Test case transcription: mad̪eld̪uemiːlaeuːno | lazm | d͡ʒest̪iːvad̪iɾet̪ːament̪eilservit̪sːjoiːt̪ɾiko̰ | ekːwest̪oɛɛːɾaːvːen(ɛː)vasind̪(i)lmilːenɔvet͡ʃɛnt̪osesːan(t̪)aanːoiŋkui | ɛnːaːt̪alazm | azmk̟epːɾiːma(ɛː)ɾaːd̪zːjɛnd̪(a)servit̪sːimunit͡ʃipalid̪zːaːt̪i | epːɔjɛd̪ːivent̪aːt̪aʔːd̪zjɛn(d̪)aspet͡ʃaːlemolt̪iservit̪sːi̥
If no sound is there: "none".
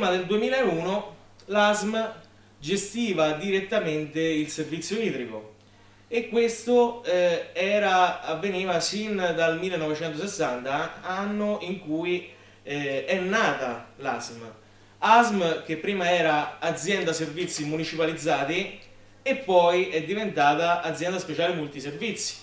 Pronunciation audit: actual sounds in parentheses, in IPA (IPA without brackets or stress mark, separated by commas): iː, a, t̪, ɛː, a, d̪